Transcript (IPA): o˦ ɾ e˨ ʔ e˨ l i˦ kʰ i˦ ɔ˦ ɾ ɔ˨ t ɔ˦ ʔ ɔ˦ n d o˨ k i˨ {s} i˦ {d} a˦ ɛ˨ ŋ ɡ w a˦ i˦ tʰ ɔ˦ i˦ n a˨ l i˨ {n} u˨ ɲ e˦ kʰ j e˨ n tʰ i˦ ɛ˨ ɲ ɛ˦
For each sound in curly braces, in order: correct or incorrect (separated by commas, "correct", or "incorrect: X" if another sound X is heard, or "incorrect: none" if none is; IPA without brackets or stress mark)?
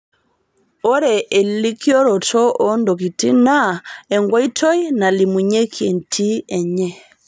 incorrect: t, incorrect: n, incorrect: m